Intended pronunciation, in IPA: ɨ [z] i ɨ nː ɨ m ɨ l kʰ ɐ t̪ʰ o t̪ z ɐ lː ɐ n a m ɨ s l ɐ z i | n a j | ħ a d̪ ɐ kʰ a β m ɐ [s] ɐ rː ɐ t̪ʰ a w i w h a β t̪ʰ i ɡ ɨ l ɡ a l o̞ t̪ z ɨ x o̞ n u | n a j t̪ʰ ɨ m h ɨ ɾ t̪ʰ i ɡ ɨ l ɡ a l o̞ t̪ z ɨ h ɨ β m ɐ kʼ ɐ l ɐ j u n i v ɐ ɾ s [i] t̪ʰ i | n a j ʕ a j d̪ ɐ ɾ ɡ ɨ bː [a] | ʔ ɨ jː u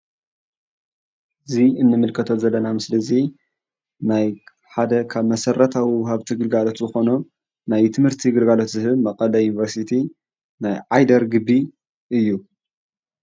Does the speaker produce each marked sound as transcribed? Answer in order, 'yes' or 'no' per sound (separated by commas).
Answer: yes, yes, yes, no